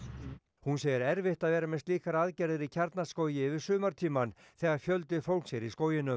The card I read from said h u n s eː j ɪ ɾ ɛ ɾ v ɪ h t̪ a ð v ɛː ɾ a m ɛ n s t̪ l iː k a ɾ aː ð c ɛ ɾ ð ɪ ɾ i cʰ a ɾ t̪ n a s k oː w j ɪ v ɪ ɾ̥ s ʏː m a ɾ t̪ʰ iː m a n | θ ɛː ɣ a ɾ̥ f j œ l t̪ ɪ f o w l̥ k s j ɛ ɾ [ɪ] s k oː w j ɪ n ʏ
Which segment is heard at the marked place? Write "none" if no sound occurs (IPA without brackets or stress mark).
i